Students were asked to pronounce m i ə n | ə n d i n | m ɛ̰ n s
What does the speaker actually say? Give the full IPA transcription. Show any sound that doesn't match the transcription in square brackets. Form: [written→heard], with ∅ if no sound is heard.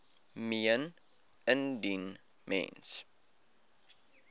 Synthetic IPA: m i ə n | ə n d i n | m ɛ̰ n s